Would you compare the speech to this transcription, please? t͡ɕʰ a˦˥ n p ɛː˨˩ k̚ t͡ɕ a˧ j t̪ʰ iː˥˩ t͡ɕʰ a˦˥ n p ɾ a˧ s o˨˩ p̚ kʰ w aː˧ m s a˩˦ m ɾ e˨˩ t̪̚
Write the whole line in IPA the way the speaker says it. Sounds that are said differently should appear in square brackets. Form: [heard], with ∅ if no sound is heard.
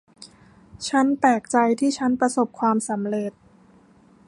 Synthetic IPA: t͡ɕʰ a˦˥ n p ɛː˨˩ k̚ t͡ɕ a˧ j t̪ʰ iː˥˩ t͡ɕʰ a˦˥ n p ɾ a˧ s o˨˩ p̚ kʰ w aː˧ m s a˩˦ m ɾ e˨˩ t̪̚